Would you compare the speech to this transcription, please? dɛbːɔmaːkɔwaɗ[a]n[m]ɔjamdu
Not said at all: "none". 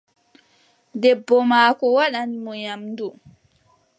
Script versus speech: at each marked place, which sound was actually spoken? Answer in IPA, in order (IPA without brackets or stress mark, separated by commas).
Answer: a, m